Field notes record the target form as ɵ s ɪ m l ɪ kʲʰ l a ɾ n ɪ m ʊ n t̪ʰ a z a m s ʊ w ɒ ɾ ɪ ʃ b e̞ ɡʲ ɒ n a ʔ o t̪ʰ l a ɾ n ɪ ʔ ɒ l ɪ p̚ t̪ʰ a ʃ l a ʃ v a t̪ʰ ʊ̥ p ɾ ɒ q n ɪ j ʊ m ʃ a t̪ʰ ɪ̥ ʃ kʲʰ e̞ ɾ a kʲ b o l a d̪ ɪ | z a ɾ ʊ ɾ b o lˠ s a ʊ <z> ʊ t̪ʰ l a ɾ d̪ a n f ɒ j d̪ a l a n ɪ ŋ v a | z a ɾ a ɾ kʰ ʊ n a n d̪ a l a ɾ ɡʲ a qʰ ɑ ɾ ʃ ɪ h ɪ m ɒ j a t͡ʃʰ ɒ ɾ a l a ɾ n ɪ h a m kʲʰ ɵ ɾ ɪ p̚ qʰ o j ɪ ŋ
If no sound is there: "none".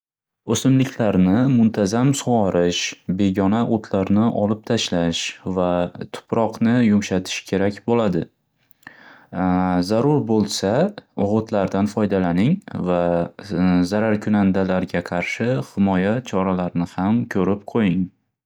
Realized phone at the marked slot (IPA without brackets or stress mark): ʁ